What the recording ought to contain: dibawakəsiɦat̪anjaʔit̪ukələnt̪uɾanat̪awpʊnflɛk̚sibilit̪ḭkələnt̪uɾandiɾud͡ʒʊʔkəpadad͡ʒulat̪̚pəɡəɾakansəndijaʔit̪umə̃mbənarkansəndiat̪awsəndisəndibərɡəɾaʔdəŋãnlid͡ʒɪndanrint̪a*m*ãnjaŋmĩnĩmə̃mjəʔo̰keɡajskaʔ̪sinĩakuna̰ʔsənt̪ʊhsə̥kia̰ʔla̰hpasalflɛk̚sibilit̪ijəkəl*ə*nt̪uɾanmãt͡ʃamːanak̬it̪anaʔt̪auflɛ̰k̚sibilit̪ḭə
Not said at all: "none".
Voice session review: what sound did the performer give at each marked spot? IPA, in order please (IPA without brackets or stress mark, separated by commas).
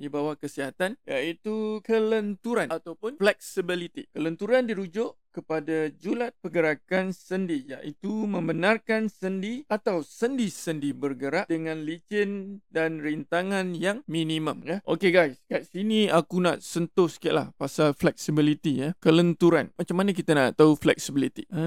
ŋ, ə